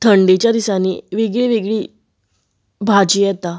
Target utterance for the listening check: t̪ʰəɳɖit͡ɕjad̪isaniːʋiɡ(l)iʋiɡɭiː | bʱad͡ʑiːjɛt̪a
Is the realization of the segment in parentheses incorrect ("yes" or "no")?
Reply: yes